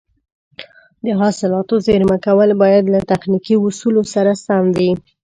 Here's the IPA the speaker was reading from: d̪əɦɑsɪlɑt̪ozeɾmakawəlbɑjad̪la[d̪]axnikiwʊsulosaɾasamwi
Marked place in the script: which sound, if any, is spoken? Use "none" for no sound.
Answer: t̪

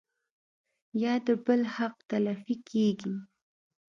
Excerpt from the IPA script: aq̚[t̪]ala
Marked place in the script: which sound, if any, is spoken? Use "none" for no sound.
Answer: t̪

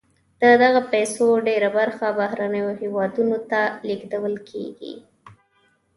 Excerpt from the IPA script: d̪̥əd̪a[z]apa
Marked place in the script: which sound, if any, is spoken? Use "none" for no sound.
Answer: ɣ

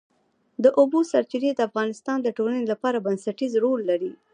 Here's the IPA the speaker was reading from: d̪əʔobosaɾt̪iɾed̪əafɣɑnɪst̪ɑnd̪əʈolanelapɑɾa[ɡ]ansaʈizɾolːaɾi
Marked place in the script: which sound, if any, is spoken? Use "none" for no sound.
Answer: b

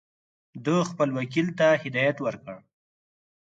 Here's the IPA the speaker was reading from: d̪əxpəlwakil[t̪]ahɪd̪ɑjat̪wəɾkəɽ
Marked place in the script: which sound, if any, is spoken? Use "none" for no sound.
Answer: t̪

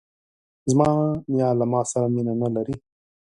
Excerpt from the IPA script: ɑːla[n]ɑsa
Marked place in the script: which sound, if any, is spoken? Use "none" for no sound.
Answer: m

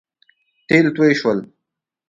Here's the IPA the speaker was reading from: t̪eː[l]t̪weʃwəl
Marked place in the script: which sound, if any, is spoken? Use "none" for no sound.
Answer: l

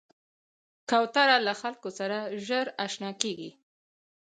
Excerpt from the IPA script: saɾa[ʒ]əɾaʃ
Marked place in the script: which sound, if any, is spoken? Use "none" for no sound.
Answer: ʒ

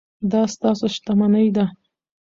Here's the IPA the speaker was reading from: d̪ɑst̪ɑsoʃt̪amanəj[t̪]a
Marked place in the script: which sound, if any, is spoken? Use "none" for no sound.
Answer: d̪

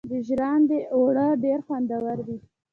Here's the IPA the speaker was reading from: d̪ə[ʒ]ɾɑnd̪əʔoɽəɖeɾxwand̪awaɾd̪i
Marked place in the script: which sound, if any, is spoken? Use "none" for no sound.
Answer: ʒ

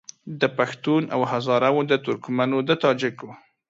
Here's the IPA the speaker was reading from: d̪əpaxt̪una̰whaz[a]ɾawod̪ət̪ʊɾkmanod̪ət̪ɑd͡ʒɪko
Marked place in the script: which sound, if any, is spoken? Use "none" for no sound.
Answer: ɑ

